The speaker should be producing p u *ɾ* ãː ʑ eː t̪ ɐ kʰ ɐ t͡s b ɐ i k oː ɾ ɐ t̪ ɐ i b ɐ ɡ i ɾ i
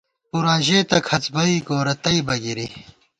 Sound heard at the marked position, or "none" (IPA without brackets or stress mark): ɾ